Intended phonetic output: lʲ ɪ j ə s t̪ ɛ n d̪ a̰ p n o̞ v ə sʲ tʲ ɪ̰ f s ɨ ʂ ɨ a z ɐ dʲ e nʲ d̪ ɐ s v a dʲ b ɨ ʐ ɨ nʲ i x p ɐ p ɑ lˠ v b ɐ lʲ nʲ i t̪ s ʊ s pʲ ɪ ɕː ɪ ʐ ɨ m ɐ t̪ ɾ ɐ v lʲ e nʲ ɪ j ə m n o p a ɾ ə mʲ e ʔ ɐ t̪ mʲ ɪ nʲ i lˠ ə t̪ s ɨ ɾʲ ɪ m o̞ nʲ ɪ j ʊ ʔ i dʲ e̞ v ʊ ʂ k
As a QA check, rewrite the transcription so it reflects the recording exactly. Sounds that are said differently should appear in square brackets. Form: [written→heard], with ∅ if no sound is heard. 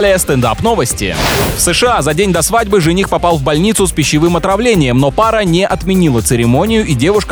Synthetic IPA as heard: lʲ ɪ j ə s t̪ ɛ n d̪ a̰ p n o̞ v ə sʲ tʲ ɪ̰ f s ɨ ʂ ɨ a z ɐ dʲ e nʲ d̪ ɐ s v a dʲ b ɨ ʐ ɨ nʲ i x p ɐ p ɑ lˠ v b ɐ lʲ nʲ i t̪ s ʊ s pʲ ɪ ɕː ɪ [ʐ→v] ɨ m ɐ t̪ ɾ ɐ v lʲ e nʲ ɪ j ə m n o p a ɾ ə [mʲ→nʲ] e ʔ ɐ t̪ mʲ ɪ nʲ i lˠ ə t̪ s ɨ ɾʲ ɪ m o̞ nʲ ɪ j ʊ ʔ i dʲ e̞ v ʊ ʂ k